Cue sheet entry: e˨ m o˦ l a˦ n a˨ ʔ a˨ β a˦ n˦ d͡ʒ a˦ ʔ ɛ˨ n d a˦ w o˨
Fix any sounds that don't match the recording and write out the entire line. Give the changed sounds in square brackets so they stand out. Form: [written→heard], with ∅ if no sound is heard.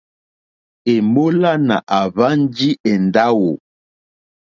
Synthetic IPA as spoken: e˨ m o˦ l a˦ n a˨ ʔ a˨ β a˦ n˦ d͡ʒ [a˦→i˦] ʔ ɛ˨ n d a˦ w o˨